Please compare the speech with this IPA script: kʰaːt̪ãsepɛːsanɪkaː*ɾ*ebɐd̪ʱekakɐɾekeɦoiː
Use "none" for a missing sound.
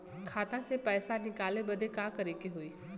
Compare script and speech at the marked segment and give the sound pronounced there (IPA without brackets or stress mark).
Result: l